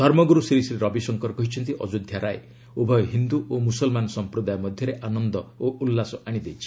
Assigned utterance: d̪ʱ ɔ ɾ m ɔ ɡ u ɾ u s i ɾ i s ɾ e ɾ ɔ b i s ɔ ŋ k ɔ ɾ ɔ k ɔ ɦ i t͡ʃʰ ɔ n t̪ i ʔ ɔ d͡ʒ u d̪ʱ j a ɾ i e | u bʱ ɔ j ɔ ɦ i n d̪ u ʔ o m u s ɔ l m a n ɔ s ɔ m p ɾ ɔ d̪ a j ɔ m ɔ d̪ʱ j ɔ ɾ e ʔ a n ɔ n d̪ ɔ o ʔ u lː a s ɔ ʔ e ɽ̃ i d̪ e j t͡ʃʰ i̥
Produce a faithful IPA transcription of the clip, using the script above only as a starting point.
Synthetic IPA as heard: d̪ʱ ɔ ɾ m ɔ ɡ u ɾ u s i ɾ i s ɾ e ɾ ɔ b i s ɔ ŋ k ɔ ɾ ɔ k ɔ ɦ i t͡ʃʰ ɔ n t̪ i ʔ ɔ d͡ʒ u d̪ʱ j a ɾ a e | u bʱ ɔ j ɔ ɦ i n d̪ u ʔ o m u s ɔ l m a n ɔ s ɔ m p ɾ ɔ d̪ a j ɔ m ɔ d̪ʱ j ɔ ɾ e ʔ a n ɔ n d̪ ɔ o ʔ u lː a s ɔ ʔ a ɽ̃ i d̪ e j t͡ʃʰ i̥